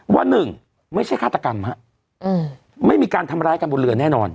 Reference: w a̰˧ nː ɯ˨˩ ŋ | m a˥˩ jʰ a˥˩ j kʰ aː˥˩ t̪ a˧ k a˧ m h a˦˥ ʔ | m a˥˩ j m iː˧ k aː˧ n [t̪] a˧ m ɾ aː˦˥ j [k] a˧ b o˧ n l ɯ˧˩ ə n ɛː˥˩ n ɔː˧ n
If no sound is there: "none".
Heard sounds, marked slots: t̪ʰ, k

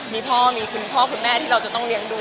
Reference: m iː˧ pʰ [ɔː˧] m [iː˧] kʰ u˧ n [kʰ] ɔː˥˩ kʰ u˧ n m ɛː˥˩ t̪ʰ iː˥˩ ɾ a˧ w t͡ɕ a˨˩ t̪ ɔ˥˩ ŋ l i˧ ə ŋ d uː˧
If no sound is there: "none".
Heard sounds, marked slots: ɔː˥˩, iː˧, pʰ

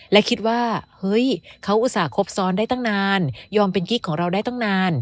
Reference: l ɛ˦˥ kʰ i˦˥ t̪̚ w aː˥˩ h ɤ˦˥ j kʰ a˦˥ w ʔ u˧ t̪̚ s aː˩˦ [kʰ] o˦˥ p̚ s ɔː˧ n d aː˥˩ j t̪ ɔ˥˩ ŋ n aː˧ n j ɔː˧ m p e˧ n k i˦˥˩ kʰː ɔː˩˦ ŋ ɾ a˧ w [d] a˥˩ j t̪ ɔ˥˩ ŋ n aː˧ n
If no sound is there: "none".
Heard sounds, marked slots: kʰ, d

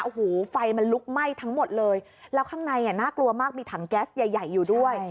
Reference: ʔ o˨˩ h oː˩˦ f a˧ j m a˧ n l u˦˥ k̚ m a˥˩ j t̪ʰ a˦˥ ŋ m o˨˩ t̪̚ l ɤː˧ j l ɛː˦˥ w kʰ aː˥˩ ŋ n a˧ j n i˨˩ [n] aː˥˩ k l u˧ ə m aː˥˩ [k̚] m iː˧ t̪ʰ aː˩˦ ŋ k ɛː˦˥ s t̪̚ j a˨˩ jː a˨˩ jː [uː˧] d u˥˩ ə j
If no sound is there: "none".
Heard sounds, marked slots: n, k̚, uː˨˩

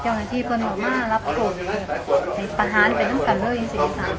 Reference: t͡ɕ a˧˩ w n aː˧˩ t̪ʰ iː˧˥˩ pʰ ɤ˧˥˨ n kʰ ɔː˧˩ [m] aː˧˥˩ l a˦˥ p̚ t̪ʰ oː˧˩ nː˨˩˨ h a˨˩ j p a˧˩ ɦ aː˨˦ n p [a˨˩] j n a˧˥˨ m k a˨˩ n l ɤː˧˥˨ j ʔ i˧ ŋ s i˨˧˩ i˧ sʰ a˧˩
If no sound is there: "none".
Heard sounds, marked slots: m, a˨˩

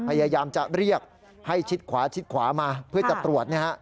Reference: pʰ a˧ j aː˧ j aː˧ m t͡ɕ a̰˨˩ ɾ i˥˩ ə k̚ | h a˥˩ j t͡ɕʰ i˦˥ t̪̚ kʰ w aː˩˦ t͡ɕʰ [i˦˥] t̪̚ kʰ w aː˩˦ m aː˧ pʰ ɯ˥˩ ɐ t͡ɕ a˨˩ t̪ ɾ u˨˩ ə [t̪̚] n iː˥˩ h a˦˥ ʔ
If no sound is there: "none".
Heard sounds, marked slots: i˦˥, t̪̚

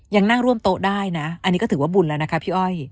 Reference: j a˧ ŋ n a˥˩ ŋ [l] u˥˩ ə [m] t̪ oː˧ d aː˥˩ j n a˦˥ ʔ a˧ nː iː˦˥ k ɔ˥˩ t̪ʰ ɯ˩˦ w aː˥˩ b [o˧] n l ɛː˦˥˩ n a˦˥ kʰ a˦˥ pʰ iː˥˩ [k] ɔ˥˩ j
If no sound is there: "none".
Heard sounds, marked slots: ɾ, m, u˧, ʔ

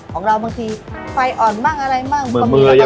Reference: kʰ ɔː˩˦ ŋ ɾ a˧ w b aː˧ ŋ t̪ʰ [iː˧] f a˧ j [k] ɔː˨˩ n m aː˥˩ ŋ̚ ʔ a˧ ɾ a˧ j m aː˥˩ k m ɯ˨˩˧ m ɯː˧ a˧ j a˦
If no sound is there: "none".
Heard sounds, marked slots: iː˧, ʔ

